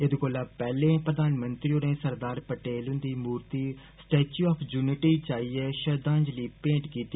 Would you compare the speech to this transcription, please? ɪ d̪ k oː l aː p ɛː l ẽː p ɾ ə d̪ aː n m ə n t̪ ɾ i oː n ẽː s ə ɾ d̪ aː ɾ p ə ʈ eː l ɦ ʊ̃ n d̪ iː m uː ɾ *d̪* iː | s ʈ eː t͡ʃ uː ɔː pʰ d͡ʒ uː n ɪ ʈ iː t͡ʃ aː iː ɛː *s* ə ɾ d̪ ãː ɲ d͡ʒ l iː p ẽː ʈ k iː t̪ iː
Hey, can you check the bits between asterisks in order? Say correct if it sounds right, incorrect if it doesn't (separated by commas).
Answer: incorrect, incorrect